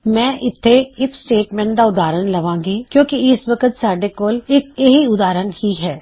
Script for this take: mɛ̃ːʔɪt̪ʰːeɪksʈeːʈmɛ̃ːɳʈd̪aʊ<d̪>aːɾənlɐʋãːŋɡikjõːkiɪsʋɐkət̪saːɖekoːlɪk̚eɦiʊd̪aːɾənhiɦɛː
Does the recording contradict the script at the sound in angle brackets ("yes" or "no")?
no